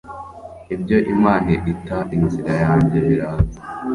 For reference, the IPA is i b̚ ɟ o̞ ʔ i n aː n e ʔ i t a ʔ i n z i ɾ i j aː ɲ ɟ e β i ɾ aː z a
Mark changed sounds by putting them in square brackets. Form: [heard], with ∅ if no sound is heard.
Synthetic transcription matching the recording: i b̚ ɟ o̞ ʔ i [m] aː n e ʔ i t a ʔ i n z i ɾ [a] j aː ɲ ɟ e β i ɾ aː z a